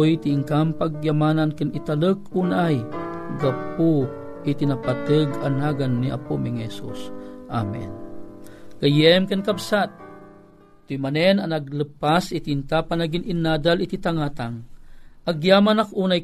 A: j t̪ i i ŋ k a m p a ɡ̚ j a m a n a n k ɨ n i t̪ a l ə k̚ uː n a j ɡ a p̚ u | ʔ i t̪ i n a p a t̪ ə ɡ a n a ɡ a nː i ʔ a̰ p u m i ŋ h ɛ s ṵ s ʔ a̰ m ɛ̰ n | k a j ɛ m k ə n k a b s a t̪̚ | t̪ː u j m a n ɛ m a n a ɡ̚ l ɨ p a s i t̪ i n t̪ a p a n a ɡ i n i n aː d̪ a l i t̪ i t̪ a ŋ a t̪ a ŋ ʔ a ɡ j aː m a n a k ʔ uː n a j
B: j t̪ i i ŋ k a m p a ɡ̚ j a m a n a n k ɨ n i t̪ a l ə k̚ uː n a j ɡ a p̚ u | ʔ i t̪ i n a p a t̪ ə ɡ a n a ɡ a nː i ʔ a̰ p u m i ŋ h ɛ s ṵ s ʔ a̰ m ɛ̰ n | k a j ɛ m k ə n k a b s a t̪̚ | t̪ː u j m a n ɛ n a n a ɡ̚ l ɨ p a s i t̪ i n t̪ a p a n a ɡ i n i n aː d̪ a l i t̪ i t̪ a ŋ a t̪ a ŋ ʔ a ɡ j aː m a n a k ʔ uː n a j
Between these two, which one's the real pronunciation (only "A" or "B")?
B